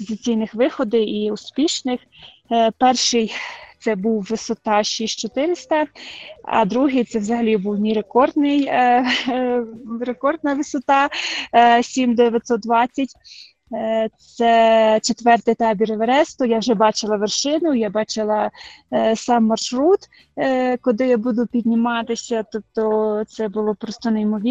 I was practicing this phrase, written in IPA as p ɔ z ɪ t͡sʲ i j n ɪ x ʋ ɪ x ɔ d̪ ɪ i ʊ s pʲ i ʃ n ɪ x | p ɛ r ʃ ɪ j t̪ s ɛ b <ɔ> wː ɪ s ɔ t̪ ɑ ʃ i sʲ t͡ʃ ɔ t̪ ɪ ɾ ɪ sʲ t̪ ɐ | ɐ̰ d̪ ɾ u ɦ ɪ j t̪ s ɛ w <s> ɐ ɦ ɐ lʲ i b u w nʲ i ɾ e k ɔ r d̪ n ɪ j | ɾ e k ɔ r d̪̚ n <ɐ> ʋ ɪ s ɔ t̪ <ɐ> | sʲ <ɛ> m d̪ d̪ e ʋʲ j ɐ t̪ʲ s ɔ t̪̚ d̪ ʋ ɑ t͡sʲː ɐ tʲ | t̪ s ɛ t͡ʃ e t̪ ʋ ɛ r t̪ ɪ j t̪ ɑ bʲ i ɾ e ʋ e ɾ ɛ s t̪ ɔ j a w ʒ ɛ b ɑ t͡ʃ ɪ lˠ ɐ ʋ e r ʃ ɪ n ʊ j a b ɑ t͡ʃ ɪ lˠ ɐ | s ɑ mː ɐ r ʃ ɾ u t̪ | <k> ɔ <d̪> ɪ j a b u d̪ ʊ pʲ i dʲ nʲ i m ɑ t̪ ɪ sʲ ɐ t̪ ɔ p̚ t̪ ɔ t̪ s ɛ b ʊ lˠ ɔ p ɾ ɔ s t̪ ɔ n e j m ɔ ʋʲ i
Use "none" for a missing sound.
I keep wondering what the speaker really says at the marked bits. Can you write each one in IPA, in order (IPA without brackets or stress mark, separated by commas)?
u, z, ɐ, ɑ, i, k, d̪